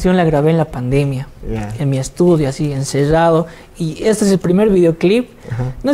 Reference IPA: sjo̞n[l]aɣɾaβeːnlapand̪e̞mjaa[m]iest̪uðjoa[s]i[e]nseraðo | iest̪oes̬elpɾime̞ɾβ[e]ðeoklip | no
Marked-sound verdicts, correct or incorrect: correct, correct, correct, correct, incorrect: i

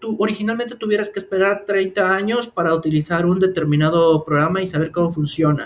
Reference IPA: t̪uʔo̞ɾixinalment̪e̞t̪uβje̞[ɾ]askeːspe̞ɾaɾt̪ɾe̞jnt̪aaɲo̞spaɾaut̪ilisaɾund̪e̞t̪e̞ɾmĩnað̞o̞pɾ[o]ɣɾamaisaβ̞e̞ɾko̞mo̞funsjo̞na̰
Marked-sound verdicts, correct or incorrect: correct, correct

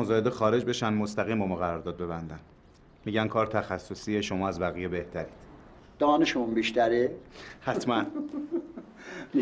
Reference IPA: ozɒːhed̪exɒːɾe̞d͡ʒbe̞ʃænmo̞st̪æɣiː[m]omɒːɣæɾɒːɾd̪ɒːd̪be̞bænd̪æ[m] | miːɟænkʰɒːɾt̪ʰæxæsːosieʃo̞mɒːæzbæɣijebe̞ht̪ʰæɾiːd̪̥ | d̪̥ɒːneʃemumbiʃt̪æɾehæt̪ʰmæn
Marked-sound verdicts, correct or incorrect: correct, incorrect: n

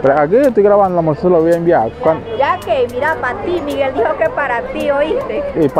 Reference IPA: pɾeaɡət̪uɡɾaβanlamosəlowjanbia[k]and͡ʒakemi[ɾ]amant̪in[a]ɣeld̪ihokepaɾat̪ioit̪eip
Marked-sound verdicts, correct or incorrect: correct, correct, incorrect: i

